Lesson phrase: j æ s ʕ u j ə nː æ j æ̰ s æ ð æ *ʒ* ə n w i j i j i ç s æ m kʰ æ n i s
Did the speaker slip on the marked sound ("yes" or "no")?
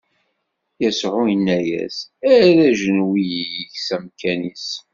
no